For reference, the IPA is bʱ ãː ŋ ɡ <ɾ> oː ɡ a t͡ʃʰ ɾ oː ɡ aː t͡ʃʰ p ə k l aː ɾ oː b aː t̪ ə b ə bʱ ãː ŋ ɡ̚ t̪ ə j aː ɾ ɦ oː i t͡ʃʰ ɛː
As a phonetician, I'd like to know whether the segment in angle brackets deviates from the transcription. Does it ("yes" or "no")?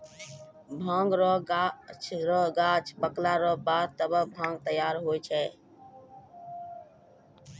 no